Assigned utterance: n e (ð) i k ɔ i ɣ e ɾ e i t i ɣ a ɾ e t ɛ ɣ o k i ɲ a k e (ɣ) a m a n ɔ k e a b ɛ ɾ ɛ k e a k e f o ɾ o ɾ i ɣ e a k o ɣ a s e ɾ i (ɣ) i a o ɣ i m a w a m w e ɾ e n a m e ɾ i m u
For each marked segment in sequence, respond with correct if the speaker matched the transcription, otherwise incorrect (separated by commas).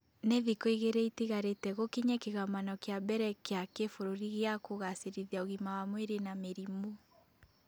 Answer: correct, correct, incorrect